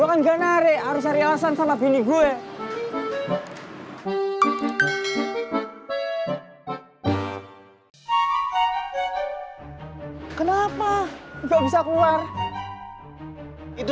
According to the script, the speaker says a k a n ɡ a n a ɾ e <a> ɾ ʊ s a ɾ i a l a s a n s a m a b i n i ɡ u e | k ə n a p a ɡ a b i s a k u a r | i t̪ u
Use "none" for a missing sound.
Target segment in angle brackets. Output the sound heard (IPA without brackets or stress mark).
a